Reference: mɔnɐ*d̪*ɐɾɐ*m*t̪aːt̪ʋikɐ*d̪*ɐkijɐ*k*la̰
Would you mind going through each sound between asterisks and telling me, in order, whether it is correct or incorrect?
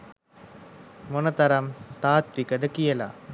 incorrect, correct, correct, incorrect

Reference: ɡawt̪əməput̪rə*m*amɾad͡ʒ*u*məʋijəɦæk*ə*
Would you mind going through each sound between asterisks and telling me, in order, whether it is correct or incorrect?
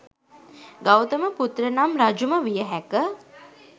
incorrect, correct, correct

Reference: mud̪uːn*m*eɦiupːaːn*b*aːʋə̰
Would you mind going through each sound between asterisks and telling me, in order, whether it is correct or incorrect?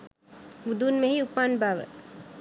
correct, correct

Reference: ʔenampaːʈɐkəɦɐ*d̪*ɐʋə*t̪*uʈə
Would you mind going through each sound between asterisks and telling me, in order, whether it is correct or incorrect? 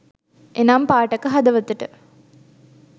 correct, correct

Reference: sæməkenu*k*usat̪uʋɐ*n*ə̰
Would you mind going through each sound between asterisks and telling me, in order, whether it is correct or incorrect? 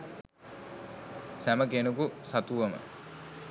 correct, incorrect

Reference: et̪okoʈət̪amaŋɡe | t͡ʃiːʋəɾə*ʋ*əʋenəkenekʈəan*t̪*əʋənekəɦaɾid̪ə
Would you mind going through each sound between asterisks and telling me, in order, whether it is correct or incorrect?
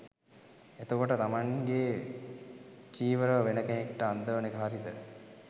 correct, incorrect

